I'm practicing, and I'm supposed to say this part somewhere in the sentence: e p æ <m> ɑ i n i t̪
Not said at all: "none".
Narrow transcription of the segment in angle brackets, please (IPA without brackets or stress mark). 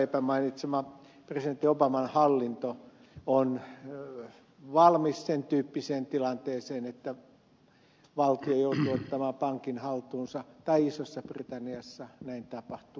m